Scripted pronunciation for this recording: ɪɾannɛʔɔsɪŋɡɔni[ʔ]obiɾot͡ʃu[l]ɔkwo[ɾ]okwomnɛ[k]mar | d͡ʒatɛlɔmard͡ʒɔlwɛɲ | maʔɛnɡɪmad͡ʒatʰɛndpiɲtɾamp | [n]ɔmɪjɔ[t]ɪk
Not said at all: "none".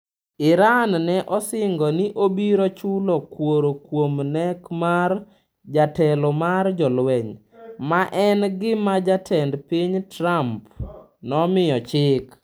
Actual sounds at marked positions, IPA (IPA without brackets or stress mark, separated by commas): ʔ, l, ɾ, k, n, t͡ʃ